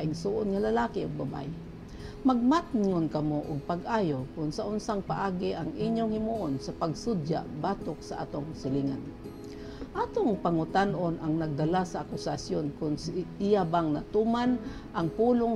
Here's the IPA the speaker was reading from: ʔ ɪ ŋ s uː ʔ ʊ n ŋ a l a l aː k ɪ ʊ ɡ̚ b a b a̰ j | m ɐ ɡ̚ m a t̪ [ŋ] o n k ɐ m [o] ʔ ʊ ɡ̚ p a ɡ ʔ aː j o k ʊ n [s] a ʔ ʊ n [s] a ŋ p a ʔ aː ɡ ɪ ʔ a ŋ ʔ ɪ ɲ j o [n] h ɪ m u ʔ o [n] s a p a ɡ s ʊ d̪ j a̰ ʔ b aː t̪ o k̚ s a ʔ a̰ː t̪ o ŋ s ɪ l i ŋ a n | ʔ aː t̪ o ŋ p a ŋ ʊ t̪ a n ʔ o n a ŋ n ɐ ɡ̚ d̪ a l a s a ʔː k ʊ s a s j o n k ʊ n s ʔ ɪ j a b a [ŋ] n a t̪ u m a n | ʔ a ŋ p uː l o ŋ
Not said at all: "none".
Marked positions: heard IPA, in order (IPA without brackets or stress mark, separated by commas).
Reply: ŋ, o, s, s, ŋ, n, ŋ